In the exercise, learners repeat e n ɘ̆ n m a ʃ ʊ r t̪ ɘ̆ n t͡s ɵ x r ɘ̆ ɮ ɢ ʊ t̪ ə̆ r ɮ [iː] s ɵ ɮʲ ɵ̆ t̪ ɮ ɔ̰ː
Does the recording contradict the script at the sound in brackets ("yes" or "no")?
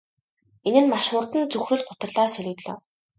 yes